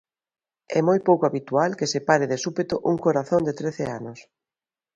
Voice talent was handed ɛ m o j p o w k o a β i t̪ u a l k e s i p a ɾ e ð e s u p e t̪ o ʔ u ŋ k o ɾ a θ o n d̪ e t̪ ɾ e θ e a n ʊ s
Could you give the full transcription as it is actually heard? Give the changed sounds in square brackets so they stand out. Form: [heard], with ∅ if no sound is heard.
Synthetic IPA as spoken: ɛ m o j p o w k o a β i t̪ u a l k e s [e] p a ɾ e ð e s u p e t̪ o ʔ u ŋ k o ɾ a θ o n d̪ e t̪ ɾ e θ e a n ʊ s